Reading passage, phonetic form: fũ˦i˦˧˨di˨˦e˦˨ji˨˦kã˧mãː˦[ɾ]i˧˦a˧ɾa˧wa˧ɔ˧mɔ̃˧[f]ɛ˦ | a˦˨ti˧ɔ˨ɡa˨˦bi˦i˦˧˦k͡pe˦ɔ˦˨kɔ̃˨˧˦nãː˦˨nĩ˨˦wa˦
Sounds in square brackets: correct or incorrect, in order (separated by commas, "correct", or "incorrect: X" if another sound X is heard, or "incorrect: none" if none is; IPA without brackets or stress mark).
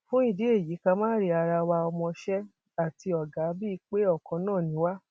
correct, incorrect: ʃ